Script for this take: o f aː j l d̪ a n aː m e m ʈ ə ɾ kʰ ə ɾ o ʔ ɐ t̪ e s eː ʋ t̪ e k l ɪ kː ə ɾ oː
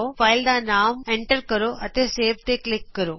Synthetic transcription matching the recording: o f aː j l d̪ a n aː m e ɳ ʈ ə ɾ k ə ɾ o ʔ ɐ t̪ e s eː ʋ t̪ e k l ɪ kː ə ɾ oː

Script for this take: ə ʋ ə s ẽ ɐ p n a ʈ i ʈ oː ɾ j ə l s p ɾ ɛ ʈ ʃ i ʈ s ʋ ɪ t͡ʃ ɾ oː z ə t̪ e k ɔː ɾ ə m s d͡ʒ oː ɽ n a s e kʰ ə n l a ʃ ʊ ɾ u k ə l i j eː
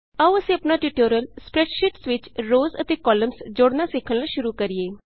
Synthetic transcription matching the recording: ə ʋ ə s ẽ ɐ p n a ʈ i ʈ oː ɾ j ə l s p ɾ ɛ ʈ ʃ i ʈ s ʋ ɪ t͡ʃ ɾ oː z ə t̪ e k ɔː l ə m s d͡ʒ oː ɽ n a s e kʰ ə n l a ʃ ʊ ɾ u k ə ɾ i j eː

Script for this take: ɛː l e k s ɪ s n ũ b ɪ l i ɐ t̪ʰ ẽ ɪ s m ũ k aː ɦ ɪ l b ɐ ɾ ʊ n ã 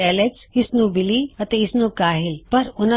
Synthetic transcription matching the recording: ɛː l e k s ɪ s n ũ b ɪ l i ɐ t̪ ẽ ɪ s n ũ k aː ɦ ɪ l p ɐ ɾ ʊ n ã

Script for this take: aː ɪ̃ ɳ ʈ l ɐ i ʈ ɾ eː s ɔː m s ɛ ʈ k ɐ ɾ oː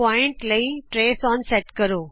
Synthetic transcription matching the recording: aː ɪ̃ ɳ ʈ l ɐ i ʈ ɾ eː s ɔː n s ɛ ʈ k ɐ ɾ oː

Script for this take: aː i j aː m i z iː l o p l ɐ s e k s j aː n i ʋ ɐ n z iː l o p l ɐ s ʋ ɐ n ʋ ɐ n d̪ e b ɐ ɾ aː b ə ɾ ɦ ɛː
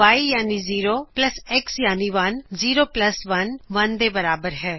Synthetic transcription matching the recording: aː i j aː n i z iː ɾ o p l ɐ s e k s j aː n i ʋ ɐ n z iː ɾ o p l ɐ s ʋ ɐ n ʋ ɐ n d̪ e b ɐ ɾ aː b ə ɾ ɦ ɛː

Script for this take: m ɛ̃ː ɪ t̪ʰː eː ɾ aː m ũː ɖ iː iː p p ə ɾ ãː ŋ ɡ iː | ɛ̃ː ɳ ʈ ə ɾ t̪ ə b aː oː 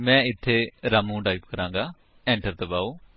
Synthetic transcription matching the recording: m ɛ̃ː ɪ t̪ʰː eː ɾ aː m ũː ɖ aː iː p k ə ɾ ãː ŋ ɡ aː | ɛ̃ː ɳ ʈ ə ɾ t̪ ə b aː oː

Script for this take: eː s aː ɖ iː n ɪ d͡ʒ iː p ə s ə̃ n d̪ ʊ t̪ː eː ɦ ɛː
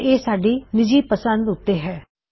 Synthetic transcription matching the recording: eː s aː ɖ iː n ɪ d͡ʒ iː p ə s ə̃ n d̪ ʊ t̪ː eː ɦ ɛː

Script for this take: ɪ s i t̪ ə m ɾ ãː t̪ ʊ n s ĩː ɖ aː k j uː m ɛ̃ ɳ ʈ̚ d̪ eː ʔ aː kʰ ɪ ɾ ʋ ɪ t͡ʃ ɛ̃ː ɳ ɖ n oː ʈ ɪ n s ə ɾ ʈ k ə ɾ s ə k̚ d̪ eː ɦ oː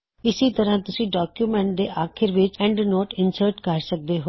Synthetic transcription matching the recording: ɪ s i t̪ ə ɾ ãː t̪ ʊ s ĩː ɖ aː k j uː m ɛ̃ ɳ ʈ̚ d̪ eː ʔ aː kʰ ɪ ɾ ʋ ɪ t͡ʃ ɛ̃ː ɳ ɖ n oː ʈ ɪ n s ə ɾ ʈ k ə ɾ s ə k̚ d̪ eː ɦ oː

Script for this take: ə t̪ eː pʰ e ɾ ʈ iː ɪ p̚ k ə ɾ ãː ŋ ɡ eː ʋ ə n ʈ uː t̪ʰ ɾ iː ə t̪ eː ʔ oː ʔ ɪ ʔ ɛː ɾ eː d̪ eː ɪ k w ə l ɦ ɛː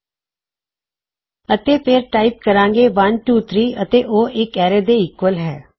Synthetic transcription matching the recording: ə t̪ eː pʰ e ɾ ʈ aː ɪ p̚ k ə ɾ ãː ŋ ɡ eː ʋ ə n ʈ uː t̪ʰ ɾ iː ə t̪ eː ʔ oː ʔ ɪ k ɛː ɾ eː d̪ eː ɪ k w ə l ɦ ɛː

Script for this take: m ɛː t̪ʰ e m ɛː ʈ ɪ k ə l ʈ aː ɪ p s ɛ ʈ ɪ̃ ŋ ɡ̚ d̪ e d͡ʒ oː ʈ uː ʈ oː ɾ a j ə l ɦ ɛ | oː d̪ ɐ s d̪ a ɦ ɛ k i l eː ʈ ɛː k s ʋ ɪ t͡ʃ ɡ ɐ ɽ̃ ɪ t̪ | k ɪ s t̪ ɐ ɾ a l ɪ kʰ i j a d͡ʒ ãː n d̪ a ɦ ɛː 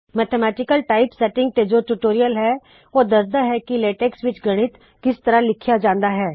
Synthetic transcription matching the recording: m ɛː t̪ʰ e m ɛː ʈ ɪ k ə l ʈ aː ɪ p s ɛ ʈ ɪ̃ ŋ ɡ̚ t̪ e d͡ʒ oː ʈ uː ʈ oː ɾ i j ə l ɦ ɛ | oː d̪ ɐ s d̪ a ɦ ɛ k i l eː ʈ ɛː k s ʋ ɪ t͡ʃ ɡ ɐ ɽ̃ ɪ t̪ | k ɪ s t̪ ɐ ɾ a l ɪ kʰ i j a d͡ʒ ãː n d̪ a ɦ ɛː

